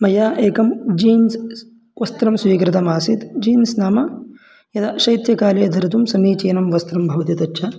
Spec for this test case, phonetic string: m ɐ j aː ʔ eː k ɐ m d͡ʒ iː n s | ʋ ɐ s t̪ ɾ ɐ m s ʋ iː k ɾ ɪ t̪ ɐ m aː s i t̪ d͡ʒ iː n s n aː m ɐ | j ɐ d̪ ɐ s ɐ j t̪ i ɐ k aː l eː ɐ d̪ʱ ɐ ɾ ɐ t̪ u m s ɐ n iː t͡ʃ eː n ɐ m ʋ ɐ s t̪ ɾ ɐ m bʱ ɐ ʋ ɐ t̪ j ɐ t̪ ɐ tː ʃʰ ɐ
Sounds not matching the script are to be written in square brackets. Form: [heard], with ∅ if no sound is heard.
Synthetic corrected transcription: m ɐ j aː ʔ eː k ɐ m d͡ʒ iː n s | ʋ ɐ s t̪ ɾ ɐ m s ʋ iː k ɾ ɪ t̪ ɐ m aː s i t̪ d͡ʒ iː n s n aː m ɐ | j ɐ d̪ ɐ [ʃ] ɐ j t̪ [j] ɐ k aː l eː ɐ d̪ʱ ɐ ɾ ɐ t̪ u m s ɐ n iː t͡ʃ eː n ɐ m ʋ ɐ s t̪ ɾ ɐ m bʱ ɐ ʋ ɐ t̪ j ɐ t̪ ɐ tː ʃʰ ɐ